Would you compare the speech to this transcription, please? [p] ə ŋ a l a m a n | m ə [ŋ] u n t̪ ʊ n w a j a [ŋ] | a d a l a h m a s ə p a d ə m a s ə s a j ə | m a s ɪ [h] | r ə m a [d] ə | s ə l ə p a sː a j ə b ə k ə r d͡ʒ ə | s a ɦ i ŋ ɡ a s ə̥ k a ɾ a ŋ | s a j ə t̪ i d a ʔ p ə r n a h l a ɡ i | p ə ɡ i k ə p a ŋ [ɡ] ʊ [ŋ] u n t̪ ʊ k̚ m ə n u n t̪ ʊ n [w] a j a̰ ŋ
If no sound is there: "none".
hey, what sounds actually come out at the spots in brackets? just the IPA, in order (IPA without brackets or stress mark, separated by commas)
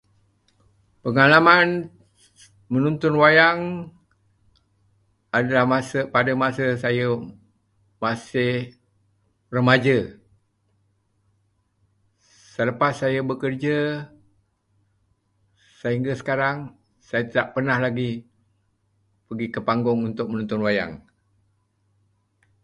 p, n, ŋ, h, d͡ʒ, ɡ, ŋ, w